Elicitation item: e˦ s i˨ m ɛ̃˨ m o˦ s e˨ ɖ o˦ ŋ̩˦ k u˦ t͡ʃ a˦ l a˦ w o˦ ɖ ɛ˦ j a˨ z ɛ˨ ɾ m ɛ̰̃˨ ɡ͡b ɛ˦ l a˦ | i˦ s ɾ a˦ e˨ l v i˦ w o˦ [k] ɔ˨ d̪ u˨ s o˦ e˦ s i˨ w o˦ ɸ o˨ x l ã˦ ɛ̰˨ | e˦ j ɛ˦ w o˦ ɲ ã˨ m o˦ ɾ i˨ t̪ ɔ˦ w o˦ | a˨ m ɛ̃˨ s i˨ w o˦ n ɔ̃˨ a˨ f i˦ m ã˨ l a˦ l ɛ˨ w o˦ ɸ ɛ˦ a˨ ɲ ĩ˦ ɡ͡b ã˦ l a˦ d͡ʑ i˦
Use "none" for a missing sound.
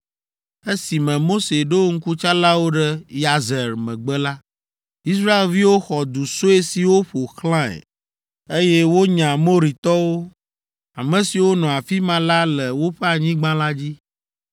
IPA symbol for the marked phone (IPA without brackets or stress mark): x